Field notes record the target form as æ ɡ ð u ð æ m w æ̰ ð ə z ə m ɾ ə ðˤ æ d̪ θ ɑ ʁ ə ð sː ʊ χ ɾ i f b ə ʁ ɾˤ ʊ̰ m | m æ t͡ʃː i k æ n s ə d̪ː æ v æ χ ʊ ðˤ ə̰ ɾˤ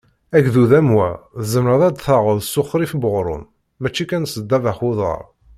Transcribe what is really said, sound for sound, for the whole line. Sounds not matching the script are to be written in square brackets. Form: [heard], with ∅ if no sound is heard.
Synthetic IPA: æ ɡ ð u ð æ m w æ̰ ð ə z ə m ɾ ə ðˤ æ d̪ θ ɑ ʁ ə ð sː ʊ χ ɾ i f b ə ʁ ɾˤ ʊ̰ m | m æ t͡ʃː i k æ n s ə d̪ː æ v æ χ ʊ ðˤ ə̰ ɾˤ